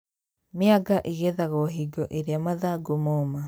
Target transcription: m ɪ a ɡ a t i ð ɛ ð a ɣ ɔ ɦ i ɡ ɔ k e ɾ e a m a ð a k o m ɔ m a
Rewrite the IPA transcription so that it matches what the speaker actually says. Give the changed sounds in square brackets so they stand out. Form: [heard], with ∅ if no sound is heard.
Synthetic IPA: m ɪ a ɡ a [ʔ] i [ɣ] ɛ ð a ɣ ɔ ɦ i ɡ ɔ [ʔ] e ɾ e a m a ð a [ɡ] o m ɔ m a